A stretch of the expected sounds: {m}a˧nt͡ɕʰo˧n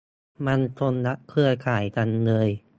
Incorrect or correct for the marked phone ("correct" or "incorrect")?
correct